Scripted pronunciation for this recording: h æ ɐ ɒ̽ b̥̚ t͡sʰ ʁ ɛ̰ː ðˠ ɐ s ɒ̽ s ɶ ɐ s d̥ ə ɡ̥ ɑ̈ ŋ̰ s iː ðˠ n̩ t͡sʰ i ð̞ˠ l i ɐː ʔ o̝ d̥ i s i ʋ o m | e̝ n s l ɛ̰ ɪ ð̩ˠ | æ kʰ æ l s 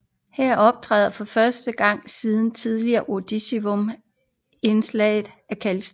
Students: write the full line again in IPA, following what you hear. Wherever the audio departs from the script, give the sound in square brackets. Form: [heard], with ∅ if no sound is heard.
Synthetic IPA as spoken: h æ ɐ ɒ̽ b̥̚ t͡sʰ ʁ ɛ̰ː ðˠ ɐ [f] ɒ̽ [f] ɶ ɐ s d̥ ə ɡ̥ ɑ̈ ŋ̰ s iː ðˠ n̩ t͡sʰ i ð̞ˠ l i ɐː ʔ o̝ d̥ i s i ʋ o m | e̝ n s l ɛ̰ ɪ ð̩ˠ | æ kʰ æ l s